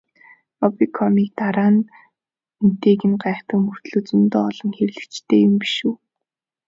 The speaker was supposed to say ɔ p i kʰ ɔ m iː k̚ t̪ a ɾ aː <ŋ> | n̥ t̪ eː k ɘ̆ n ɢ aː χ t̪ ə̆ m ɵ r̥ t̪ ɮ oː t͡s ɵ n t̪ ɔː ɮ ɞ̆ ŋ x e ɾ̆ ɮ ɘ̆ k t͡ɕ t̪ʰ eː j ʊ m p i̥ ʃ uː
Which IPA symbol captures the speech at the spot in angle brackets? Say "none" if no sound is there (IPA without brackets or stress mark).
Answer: n